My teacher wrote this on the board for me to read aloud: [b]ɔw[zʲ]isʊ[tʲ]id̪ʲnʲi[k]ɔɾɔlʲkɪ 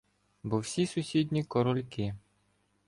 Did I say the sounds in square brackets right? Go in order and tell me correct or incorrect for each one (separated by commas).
correct, incorrect, incorrect, correct